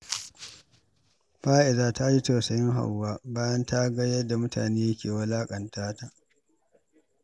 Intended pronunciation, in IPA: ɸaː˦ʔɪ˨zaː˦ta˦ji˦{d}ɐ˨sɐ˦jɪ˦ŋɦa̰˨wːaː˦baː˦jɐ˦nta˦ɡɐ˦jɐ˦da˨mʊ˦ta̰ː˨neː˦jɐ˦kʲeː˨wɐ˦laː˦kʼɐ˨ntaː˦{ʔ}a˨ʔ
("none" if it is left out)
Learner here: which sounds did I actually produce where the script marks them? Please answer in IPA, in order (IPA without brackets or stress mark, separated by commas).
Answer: t, t